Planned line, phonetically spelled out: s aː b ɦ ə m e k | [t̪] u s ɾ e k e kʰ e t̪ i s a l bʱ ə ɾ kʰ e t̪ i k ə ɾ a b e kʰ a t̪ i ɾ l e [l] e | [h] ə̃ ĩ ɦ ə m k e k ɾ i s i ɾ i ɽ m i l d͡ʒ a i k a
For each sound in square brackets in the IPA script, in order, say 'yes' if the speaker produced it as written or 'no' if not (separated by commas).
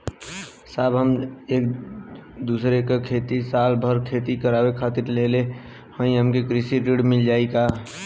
no, yes, yes